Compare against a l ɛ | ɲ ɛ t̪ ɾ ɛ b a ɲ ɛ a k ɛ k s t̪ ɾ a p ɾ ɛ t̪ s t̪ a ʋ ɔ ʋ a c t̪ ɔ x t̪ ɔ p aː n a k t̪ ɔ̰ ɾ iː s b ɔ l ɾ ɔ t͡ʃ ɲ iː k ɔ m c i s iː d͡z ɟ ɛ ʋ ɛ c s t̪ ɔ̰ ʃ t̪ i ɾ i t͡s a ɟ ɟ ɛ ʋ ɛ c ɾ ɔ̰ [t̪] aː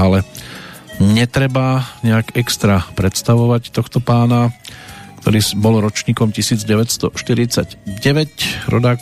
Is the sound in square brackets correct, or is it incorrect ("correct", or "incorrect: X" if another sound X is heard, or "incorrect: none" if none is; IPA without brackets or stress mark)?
incorrect: d̪